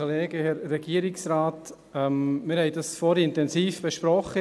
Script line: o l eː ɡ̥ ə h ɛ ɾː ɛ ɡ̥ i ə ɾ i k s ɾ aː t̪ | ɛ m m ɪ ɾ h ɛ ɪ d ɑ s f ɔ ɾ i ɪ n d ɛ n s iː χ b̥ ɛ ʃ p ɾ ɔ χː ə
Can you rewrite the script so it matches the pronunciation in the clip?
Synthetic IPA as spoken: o l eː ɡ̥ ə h ɛ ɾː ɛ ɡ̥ i ə ɾ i k s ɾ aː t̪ | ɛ m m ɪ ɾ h ɛ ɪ d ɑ s f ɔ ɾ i ɪ n t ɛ n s iː f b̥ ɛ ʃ p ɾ ɔ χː ə